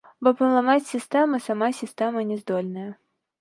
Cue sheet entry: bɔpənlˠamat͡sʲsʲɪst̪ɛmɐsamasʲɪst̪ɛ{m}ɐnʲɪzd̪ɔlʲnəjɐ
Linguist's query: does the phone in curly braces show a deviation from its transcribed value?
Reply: no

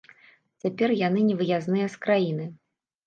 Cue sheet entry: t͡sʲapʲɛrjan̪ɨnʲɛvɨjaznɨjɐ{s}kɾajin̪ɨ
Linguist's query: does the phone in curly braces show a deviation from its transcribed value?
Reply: no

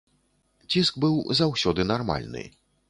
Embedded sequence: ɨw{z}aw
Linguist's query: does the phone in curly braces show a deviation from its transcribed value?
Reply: no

